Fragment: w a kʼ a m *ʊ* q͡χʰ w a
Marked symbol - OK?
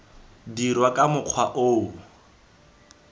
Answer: yes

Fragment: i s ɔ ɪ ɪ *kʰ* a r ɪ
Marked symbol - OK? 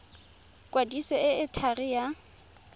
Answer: no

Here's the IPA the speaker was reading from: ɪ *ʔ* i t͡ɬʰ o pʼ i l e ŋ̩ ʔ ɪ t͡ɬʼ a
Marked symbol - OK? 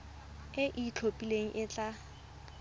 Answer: yes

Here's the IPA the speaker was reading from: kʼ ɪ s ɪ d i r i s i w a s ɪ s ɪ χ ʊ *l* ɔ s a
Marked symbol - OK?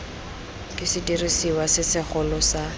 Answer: yes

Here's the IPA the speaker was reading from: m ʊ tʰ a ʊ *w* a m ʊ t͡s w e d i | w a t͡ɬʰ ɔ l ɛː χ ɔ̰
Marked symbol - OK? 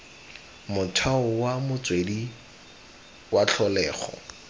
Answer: yes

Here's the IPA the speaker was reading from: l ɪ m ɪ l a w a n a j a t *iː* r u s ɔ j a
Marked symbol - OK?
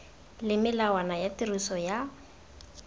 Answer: no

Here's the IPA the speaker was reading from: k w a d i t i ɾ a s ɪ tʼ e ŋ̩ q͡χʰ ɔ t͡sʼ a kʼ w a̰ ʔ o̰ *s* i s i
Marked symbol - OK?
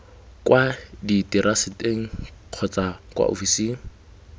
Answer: no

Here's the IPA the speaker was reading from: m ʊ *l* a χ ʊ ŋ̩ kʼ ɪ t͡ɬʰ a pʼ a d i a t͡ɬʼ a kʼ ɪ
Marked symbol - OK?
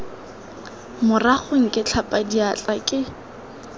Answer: no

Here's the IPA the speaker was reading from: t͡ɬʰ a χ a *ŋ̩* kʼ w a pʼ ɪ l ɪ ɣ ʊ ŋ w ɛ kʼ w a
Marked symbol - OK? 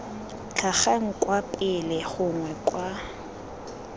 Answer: yes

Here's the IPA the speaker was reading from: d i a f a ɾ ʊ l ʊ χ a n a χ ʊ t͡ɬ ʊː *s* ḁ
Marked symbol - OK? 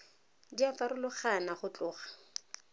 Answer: no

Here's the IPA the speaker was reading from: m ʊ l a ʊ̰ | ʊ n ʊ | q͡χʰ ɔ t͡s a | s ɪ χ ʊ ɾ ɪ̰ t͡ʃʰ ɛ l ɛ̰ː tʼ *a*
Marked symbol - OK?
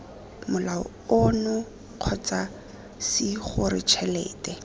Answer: no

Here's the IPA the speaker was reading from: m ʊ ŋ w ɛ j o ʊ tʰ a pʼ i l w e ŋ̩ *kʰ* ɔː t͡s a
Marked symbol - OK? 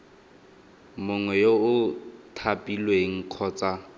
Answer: yes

